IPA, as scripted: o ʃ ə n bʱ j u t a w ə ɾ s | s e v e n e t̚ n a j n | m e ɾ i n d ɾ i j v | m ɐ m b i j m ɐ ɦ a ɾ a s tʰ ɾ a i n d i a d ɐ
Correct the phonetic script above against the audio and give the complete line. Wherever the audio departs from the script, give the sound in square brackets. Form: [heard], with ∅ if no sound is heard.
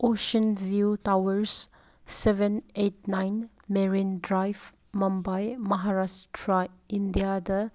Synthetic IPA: o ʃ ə n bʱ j u t a w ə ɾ s | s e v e n e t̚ n a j n | m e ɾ i n d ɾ [a] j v | m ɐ m b [a] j m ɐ ɦ a ɾ a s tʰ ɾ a i n d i a d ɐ